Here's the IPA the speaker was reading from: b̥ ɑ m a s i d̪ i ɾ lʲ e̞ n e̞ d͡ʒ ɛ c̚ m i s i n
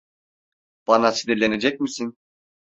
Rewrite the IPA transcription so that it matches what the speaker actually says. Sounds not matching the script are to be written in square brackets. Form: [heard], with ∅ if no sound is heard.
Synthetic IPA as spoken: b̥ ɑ [n] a s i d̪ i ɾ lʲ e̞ n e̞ d͡ʒ ɛ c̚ m i s i n